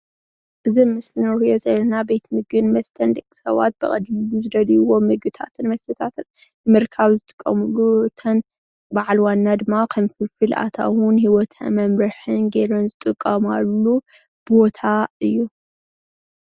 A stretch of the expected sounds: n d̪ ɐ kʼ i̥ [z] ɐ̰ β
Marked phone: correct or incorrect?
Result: incorrect